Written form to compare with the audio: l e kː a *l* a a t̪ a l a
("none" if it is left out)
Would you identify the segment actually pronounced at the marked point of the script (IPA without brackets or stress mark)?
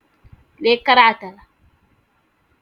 ɾ